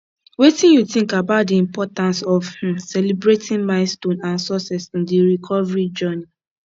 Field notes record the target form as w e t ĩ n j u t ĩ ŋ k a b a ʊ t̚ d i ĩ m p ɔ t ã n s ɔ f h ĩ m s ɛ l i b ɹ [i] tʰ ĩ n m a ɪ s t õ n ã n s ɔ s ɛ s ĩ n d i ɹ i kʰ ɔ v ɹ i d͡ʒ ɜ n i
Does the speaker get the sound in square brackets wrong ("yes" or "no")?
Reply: yes